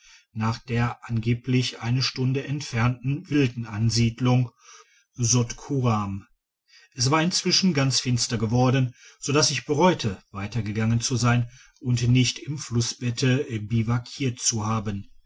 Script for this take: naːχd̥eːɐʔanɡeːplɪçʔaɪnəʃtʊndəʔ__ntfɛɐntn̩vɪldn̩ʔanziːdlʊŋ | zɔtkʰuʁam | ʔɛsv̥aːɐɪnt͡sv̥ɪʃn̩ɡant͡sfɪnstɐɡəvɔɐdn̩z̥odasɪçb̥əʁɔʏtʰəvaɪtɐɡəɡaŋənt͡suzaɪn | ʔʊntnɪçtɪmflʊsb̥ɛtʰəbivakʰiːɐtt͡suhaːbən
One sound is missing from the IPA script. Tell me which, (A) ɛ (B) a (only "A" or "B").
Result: A